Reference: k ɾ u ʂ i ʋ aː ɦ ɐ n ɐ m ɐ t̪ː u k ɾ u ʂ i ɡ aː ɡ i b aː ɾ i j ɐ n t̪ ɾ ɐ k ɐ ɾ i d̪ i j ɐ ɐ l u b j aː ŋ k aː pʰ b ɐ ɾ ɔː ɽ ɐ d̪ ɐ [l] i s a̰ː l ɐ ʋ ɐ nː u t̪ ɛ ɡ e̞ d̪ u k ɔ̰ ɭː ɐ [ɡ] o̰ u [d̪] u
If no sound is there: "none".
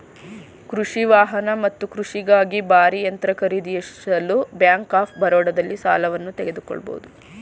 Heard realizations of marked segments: lː, b, d̪

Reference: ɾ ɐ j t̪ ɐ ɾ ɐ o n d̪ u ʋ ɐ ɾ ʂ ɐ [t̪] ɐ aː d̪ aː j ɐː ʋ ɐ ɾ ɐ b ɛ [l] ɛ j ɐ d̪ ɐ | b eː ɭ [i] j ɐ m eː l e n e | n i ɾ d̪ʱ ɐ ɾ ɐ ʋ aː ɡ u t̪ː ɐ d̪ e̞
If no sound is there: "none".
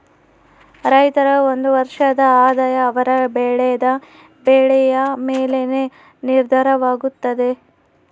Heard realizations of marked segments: d̪, ɭ, ɛ

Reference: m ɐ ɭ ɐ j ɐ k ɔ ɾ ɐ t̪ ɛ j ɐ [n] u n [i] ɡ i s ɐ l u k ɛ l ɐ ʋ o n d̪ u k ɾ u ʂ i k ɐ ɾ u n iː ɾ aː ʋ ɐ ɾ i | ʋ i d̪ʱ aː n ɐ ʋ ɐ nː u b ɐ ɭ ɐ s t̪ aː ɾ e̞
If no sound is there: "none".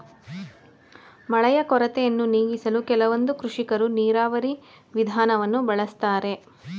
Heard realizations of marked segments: nː, iː

